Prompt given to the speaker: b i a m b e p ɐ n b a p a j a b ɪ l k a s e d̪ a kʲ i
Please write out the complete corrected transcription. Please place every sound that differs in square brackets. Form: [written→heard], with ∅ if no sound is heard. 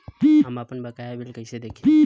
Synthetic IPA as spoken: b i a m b [e→a] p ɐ n b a [p→k] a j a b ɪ l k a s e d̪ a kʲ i